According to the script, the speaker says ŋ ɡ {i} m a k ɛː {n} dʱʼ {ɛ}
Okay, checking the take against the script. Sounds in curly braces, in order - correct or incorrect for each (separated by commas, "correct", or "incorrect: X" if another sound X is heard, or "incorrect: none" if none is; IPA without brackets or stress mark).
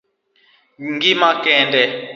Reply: correct, correct, correct